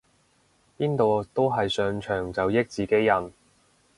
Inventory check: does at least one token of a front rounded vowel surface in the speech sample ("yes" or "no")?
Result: yes